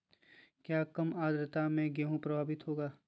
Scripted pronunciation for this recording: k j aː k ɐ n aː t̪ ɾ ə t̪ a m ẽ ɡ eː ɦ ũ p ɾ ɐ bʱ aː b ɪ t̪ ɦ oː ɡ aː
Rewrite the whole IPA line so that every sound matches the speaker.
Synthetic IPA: k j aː k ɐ m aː d̪ ɾ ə t̪ a m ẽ ɡ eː ɦ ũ p ɾ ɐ bʱ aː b ɪ t̪ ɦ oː ɡ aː